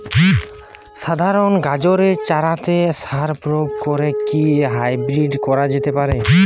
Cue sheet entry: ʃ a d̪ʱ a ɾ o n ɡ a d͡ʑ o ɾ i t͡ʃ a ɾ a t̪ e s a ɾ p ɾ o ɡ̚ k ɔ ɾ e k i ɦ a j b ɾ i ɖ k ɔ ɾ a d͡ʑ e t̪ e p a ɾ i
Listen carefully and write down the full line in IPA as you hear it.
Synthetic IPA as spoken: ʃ a d̪ʱ a ɾ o n ɡ a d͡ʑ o ɾ e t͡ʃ a ɾ a t̪ e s a ɾ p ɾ o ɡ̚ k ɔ ɾ e k i ɦ a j b ɾ i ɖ k ɔ ɾ a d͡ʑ e t̪ e p a ɾ e